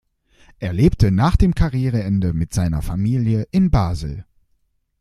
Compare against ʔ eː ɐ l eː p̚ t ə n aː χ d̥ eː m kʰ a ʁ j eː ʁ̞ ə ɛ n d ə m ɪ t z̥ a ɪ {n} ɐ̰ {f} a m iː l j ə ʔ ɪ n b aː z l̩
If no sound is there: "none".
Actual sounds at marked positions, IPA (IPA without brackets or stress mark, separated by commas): n, f